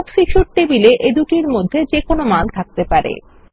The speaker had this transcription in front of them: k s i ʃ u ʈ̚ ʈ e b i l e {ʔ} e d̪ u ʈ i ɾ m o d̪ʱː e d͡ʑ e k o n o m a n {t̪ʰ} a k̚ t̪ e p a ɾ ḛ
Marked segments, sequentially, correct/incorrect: correct, correct

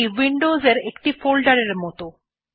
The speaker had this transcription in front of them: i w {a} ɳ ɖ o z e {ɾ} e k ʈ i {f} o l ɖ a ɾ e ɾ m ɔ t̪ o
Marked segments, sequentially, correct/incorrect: incorrect: i, correct, correct

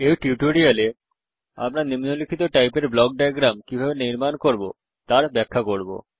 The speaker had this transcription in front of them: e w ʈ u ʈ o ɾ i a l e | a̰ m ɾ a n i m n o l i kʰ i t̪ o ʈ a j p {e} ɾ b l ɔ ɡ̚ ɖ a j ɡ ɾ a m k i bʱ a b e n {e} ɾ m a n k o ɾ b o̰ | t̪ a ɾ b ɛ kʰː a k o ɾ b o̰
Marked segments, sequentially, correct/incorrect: correct, incorrect: i

